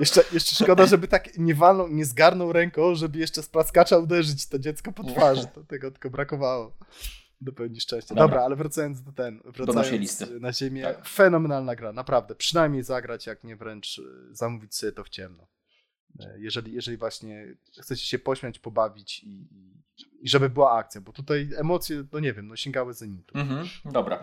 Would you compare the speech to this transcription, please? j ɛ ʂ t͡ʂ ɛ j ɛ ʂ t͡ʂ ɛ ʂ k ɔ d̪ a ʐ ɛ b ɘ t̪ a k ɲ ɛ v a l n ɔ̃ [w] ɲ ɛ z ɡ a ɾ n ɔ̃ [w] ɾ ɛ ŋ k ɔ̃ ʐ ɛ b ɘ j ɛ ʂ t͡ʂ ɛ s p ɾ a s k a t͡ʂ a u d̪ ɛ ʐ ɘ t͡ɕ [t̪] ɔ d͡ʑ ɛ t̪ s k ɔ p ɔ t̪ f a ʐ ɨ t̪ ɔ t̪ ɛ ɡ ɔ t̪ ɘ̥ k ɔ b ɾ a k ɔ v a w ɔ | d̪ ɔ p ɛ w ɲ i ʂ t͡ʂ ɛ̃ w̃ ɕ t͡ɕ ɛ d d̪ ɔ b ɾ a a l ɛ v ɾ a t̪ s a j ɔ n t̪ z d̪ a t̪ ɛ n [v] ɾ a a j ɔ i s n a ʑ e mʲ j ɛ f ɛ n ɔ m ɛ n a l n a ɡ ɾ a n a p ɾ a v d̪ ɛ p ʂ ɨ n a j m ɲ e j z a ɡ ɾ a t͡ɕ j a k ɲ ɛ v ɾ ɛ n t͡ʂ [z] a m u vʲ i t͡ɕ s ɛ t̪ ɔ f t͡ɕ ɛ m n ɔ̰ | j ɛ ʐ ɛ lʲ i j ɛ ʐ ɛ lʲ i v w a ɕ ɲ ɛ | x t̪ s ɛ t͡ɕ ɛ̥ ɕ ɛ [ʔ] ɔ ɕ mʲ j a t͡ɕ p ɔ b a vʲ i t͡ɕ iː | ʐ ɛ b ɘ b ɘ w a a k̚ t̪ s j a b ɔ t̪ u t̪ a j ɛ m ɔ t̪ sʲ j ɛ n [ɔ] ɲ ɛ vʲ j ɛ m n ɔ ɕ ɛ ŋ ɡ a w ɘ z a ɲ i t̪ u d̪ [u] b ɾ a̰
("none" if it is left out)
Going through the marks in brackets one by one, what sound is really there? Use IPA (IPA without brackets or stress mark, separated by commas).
w, w, t̪, v, z, p, ɔ, ɔ